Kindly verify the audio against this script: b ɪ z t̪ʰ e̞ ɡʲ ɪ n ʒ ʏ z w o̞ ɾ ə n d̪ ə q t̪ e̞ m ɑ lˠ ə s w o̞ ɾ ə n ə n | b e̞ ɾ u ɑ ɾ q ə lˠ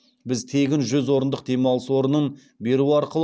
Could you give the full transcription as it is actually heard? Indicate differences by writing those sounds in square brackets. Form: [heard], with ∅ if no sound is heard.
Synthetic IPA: b ɪ z t̪ʰ e̞ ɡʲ ɪ n ʒ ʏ z w o̞ ɾ ə n d̪ ə q [d̪] e̞ m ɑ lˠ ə s w o̞ ɾ ə n ə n | b e̞ ɾ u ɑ ɾ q ə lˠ